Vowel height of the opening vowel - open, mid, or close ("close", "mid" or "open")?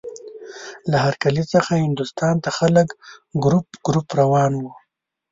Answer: open